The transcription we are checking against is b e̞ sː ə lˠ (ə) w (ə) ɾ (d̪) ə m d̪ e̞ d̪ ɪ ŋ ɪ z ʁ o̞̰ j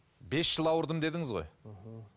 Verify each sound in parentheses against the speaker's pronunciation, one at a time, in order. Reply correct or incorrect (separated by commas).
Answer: incorrect, correct, correct